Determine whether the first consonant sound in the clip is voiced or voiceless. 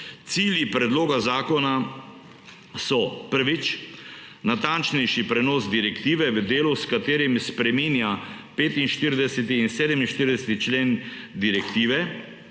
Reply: voiceless